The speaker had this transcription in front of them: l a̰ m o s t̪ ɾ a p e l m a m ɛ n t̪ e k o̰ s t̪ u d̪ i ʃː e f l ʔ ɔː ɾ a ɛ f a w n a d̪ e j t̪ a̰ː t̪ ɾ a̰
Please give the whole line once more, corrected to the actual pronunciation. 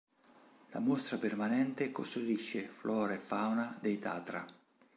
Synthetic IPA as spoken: l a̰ m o s t̪ ɾ a p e r m a n ɛ n t̪ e k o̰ s t̪ u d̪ i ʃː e f l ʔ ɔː ɾ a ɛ f a w n a d̪ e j t̪ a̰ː t̪ ɾ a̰